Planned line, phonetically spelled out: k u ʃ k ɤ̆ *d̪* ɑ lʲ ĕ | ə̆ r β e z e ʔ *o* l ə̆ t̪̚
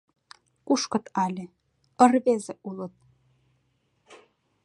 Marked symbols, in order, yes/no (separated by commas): no, no